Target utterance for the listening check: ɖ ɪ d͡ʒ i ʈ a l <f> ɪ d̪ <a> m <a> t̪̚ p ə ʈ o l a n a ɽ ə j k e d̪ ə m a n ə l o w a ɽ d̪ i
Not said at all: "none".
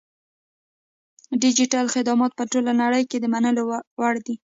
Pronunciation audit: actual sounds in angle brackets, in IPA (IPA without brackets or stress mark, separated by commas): x, ɑ, ɑ